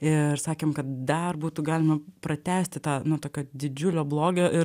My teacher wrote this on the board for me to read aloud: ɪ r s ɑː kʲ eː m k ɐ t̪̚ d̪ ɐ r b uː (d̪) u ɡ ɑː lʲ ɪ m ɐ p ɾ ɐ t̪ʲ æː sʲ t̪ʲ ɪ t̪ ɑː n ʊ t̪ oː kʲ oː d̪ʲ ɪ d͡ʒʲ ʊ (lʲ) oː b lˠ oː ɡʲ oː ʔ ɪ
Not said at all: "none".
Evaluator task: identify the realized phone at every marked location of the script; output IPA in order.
t̪, lʲ

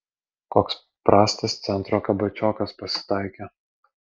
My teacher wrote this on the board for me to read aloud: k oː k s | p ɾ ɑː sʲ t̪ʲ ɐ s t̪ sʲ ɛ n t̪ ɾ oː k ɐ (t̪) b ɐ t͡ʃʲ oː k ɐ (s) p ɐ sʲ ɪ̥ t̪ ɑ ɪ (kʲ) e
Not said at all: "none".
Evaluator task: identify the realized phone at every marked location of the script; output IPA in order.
none, s, kʲ

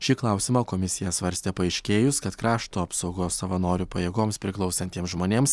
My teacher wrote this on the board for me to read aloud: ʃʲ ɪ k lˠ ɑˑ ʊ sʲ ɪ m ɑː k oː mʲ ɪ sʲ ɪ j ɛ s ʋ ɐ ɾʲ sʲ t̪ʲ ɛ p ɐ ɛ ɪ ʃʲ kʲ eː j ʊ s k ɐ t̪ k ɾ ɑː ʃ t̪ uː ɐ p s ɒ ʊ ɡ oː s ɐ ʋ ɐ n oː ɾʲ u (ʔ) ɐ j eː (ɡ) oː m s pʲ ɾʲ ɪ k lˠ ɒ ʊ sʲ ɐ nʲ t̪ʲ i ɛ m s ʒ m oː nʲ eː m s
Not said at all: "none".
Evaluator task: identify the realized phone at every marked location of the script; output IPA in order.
p, ɡ

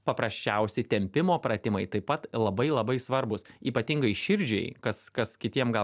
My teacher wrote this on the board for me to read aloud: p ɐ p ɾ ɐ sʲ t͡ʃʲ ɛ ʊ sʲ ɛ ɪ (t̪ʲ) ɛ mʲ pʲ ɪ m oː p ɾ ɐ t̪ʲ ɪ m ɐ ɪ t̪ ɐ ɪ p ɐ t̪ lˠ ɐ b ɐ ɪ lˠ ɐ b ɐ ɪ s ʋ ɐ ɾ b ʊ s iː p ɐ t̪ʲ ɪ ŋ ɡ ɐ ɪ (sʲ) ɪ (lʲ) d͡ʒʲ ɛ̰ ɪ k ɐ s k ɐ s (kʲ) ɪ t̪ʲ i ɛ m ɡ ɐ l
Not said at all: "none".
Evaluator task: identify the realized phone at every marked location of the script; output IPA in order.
t̪ʲ, ʃʲ, ɾʲ, kʲ

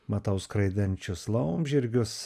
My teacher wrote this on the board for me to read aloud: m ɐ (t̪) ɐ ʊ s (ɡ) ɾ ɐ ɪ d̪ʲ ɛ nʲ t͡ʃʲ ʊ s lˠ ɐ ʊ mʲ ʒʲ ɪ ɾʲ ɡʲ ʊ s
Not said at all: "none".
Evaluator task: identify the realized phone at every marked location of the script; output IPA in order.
t̪, k

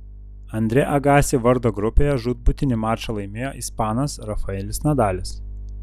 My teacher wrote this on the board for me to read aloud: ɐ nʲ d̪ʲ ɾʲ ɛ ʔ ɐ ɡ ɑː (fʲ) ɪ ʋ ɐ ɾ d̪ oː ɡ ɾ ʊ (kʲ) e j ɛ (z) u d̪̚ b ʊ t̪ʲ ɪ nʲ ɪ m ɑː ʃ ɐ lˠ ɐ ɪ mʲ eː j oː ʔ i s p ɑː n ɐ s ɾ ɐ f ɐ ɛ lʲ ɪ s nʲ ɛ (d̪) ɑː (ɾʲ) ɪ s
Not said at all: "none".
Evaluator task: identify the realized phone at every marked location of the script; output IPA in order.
sʲ, pʲ, ʒ, d̪, lʲ

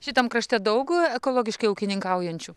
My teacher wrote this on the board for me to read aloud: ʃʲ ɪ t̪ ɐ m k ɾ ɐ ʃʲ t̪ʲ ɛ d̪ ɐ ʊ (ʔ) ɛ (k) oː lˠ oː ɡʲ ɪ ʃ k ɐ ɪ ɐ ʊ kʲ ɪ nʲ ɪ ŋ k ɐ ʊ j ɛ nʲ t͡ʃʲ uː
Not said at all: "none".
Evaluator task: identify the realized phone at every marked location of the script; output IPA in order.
k, k

